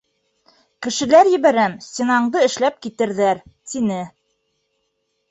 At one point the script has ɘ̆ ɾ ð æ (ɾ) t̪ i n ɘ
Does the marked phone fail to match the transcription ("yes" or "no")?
no